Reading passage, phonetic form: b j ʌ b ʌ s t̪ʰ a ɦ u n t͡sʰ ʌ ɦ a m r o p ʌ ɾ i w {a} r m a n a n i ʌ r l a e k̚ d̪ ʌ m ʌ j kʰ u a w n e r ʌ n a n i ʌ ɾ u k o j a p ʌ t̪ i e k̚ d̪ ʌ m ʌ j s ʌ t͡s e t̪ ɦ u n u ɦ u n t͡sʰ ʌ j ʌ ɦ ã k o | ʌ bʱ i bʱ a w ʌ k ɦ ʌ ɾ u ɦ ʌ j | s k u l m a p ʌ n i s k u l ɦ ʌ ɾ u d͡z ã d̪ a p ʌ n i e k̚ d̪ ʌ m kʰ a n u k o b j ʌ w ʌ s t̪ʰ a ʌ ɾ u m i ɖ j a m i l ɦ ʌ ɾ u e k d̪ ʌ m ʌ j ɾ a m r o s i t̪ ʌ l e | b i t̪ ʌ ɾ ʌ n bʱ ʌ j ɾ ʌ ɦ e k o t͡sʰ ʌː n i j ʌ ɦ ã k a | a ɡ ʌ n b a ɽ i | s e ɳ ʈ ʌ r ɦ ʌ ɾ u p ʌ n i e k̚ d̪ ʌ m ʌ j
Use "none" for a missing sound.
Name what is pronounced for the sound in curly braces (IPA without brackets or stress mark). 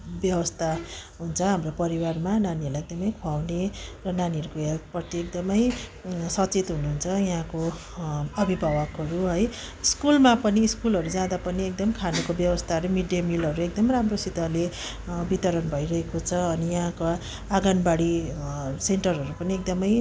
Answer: a